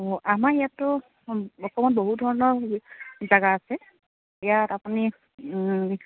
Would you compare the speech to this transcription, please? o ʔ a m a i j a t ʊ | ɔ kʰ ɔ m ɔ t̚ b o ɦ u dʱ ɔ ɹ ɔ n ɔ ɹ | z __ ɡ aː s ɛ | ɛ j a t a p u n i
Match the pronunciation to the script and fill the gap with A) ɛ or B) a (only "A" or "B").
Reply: B